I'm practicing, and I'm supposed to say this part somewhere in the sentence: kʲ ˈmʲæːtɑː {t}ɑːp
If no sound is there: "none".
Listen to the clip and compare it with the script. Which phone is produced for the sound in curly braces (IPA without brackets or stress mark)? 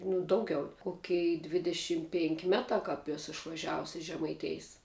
k